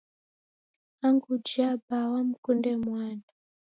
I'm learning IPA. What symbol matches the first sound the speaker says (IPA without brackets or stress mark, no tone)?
a